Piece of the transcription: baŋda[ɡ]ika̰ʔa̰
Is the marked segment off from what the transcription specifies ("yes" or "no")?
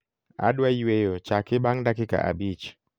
yes